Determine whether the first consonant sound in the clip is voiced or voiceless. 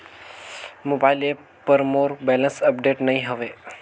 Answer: voiced